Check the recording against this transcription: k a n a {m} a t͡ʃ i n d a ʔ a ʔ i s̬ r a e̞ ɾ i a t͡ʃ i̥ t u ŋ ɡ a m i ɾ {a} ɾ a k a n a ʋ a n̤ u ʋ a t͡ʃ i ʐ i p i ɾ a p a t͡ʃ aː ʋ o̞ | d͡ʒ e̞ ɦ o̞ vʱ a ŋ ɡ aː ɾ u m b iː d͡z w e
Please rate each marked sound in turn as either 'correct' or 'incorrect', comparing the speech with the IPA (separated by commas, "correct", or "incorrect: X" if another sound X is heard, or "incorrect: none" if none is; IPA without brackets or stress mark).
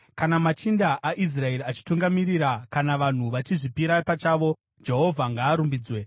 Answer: correct, incorrect: i